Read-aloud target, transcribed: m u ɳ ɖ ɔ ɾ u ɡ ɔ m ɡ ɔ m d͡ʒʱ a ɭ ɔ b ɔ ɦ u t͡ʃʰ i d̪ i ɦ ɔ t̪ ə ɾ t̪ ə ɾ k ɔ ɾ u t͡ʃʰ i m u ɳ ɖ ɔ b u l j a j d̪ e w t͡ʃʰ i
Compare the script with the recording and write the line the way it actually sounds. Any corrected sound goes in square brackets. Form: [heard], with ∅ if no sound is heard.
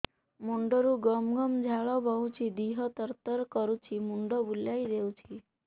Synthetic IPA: m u ɳ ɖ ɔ ɾ u ɡ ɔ m ɡ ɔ m d͡ʒʱ a ɭ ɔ b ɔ ɦ u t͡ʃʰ i d̪ i ɦ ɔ t̪ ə ɾ t̪ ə ɾ k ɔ ɾ u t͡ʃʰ i m u ɳ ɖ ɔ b u l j a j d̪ e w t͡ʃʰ i

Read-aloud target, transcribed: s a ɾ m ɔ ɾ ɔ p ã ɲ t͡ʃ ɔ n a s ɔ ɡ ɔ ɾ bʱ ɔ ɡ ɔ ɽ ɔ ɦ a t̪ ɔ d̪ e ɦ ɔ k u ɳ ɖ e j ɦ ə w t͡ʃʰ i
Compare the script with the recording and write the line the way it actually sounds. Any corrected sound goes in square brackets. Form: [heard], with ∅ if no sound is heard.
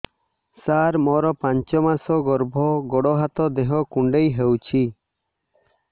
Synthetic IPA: s a ɾ m ɔ ɾ ɔ p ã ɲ t͡ʃ ɔ [m] a s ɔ ɡ ɔ ɾ bʱ ɔ ɡ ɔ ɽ ɔ ɦ a t̪ ɔ d̪ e ɦ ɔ k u ɳ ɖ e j ɦ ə w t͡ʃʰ i

